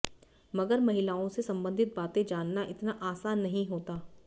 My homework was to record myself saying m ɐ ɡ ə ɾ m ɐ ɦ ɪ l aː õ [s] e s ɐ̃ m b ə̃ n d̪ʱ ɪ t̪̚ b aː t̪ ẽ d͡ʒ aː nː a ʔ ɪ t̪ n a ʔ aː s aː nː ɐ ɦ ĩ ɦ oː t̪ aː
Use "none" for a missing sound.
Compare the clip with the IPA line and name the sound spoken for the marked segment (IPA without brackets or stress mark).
s